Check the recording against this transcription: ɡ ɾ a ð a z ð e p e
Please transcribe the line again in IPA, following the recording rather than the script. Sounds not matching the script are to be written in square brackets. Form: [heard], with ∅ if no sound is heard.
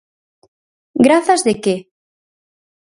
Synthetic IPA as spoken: ɡ ɾ a [θ] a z ð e [k] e